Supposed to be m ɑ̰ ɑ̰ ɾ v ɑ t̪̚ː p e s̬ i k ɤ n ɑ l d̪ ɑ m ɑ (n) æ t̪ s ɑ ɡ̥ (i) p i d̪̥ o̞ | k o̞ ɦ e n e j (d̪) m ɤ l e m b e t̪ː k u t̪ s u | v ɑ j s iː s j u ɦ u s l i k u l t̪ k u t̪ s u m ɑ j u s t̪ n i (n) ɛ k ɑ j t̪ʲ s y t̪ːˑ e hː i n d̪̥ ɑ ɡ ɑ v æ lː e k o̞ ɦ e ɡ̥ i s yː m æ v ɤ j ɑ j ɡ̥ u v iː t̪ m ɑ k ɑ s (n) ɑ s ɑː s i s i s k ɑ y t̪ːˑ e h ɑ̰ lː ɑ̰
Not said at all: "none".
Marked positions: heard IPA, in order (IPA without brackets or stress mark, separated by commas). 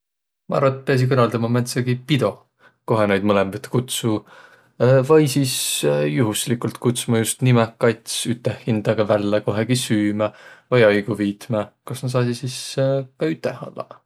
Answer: m, i, d̪, m, n